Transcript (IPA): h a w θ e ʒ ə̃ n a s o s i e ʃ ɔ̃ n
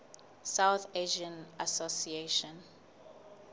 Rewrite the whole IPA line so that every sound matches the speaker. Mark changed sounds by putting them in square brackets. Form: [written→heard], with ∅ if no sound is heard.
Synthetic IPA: [h→s] a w θ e ʒ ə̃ n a s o s i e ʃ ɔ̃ n